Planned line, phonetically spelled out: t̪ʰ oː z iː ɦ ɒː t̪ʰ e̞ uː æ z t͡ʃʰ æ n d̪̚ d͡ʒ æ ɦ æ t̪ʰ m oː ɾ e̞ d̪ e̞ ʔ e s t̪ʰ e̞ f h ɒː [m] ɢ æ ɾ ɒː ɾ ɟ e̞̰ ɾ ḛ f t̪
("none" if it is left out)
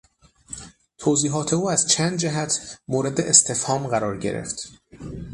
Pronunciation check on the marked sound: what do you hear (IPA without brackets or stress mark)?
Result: m